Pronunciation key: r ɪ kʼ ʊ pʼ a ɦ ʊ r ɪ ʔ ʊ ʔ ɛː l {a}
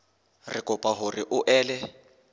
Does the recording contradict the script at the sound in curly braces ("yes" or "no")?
yes